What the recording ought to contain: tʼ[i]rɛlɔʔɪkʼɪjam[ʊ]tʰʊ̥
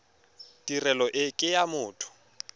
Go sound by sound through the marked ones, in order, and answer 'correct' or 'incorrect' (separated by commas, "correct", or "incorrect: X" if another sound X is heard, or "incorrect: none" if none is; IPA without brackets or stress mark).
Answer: correct, incorrect: ʊː